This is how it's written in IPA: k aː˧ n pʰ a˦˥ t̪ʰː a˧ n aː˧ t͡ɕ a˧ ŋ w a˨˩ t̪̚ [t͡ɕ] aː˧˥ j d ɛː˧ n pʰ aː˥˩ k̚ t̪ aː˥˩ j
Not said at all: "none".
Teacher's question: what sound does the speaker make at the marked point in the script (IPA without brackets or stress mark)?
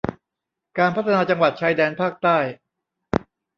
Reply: t͡ɕʰ